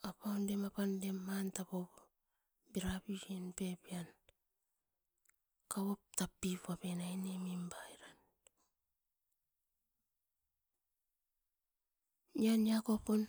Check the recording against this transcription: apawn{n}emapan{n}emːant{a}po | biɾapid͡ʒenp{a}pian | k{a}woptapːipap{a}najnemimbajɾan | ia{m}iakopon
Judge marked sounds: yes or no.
no, no, yes, no, yes, no, no

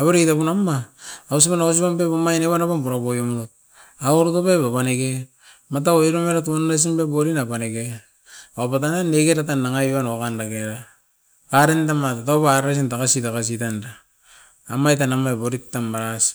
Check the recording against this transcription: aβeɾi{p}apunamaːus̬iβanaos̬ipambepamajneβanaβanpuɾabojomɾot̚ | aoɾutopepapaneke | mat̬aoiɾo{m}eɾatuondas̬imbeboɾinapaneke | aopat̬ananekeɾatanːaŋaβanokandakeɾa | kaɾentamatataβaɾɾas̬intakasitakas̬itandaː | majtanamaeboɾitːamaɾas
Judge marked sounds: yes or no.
no, yes

